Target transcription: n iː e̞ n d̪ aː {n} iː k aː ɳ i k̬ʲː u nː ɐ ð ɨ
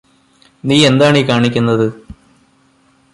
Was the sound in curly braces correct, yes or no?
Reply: no